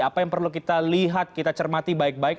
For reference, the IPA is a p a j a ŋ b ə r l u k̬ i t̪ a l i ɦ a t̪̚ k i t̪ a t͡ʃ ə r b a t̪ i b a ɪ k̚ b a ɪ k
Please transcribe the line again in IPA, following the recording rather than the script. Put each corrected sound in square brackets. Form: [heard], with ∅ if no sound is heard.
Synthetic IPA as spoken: a p a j a ŋ [p] ə r l u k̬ i t̪ a l i ɦ a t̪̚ k i t̪ a t͡ʃ ə r [m] a t̪ i b a ɪ k̚ b a ɪ k